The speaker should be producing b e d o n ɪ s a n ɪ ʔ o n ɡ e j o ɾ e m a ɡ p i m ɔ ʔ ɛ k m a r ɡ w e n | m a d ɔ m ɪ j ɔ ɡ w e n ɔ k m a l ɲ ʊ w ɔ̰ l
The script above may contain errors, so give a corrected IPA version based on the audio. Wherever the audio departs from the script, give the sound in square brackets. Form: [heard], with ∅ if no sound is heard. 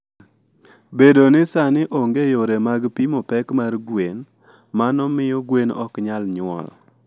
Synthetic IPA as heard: b e d o n ɪ s a n ɪ ʔ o [ŋ] ɡ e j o ɾ e m a ɡ p i m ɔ [p] ɛ k m a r ɡ w e n | m a [n] ɔ m ɪ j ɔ ɡ w e n ɔ k [ɲ] a l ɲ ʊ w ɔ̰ l